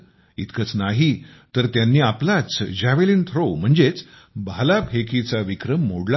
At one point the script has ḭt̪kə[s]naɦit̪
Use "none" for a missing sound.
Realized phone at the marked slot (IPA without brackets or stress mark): t͡s